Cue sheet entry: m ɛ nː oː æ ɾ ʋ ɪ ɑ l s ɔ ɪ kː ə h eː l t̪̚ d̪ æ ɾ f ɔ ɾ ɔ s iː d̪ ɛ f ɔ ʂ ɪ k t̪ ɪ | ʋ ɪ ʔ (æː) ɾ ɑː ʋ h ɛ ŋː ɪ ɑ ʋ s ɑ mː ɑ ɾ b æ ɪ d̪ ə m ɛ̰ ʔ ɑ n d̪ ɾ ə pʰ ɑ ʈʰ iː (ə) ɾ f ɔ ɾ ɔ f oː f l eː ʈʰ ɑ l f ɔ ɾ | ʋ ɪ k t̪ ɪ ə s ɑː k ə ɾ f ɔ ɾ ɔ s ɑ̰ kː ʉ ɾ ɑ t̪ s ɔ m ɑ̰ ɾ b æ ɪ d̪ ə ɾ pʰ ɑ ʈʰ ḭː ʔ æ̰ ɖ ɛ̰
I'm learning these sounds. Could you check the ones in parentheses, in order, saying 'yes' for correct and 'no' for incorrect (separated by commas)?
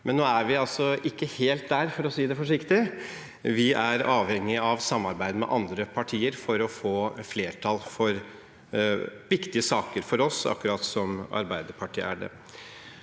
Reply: no, yes